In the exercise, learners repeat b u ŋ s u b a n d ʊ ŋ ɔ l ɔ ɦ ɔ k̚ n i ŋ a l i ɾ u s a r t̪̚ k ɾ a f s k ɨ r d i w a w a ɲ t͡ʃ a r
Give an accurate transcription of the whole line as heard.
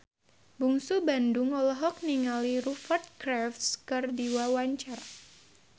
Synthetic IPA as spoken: b u ŋ s u b a n d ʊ ŋ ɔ l ɔ ɦ ɔ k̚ n i ŋ a l i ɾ u f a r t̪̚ k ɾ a f s k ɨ r d i w a w a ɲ t͡ʃ a r